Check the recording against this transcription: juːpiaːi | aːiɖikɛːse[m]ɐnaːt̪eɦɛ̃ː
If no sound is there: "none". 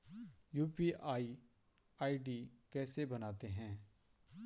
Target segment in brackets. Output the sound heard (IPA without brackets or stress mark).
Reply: b